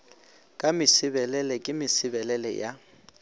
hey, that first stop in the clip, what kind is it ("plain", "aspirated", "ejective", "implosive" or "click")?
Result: ejective